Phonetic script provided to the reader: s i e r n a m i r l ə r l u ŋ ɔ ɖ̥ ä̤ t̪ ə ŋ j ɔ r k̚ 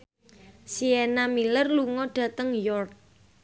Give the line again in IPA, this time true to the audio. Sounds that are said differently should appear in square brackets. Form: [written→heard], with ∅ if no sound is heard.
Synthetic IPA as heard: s i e [r→∅] n a m i [r→∅] l ə r l u ŋ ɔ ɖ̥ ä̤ t̪ ə ŋ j ɔ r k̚